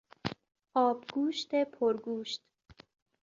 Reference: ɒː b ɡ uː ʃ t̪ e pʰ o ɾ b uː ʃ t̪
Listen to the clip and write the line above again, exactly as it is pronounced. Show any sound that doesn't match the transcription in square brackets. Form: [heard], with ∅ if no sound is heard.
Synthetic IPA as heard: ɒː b ɡ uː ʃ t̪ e pʰ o ɾ [ɡ] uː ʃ t̪